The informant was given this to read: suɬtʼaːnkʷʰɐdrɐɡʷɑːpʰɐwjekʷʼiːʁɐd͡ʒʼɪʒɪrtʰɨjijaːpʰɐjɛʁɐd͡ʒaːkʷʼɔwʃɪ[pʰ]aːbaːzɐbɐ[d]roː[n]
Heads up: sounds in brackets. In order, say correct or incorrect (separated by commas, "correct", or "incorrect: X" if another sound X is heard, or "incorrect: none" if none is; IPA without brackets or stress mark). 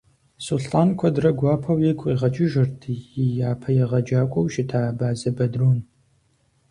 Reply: incorrect: tʰ, correct, correct